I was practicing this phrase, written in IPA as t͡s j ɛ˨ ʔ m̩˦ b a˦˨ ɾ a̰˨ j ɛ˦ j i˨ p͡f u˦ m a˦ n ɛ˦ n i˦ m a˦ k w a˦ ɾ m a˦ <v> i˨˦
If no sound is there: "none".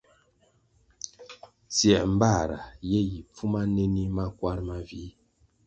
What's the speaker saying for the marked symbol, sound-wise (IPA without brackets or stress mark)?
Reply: v